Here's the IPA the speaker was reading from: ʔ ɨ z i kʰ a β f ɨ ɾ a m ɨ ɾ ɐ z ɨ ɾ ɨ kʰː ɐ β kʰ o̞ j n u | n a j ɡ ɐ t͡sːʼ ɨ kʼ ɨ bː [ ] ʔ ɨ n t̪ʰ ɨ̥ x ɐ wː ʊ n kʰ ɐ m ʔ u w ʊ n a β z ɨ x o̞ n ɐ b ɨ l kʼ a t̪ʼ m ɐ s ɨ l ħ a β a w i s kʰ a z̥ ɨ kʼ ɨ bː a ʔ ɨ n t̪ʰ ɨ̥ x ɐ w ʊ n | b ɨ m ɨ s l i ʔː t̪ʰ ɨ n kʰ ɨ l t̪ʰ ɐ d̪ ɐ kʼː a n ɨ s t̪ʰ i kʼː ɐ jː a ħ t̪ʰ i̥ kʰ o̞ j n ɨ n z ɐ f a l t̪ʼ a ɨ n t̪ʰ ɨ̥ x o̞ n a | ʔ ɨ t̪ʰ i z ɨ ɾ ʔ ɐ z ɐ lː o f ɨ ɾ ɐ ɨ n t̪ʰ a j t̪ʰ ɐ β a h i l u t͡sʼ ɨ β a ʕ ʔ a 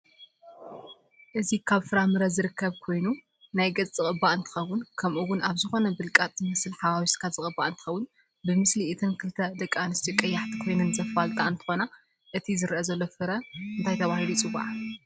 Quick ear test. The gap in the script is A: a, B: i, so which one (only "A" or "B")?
A